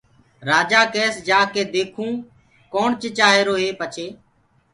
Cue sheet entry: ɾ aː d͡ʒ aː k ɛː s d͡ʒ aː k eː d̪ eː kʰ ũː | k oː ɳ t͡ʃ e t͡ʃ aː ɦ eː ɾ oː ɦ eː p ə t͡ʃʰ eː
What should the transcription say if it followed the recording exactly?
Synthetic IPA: ɾ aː d͡ʒ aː k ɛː s d͡ʒ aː k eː d̪ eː kʰ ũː | k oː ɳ t͡ʃ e t͡ʃ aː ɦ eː ɾ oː ɦ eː p ə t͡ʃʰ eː